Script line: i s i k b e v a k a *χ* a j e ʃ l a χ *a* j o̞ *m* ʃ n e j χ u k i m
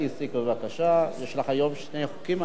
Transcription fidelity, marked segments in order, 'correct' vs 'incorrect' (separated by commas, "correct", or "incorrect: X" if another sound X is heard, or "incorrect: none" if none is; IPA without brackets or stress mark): incorrect: ʃ, correct, correct